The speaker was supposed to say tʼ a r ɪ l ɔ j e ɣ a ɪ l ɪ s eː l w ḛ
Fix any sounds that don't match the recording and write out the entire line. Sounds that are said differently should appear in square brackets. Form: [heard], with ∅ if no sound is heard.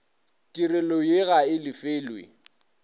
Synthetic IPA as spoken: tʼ [i] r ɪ l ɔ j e ɣ a ɪ l ɪ [f] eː l w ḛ